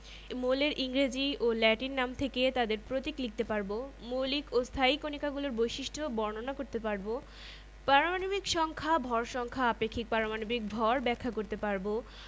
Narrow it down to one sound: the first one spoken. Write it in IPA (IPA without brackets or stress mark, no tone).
m